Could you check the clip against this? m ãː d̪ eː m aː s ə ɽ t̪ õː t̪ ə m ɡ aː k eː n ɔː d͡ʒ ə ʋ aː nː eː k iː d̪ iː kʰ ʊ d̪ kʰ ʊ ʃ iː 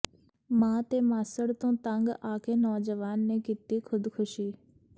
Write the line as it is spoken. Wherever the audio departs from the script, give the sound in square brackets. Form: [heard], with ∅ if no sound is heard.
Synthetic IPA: m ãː [t̪] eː m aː s ə ɽ t̪ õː t̪ ə [ŋ] ɡ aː k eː n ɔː d͡ʒ ə ʋ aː nː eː k iː [t̪] iː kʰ ʊ d̪ kʰ ʊ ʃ iː